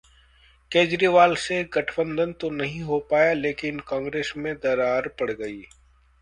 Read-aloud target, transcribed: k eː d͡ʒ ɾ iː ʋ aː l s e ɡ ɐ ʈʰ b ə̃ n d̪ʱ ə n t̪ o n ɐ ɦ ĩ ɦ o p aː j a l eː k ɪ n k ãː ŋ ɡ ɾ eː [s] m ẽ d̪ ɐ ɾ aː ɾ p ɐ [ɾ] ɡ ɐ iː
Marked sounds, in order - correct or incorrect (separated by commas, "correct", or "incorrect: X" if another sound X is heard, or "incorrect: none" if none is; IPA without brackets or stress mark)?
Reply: correct, incorrect: ɽ